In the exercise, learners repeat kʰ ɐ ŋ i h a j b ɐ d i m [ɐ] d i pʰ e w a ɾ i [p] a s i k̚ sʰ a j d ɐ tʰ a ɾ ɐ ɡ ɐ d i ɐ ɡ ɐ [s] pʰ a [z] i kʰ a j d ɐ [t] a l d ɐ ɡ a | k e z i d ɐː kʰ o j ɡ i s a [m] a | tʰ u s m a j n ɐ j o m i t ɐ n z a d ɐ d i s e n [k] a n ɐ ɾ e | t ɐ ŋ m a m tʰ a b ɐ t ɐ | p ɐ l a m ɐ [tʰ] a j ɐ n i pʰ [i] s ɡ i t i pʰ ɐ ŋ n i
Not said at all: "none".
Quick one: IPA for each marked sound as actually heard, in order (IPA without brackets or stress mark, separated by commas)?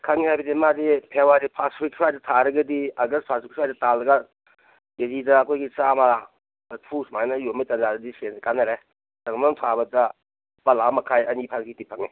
a, pʰ, s, s, t, m, k, kʰ, a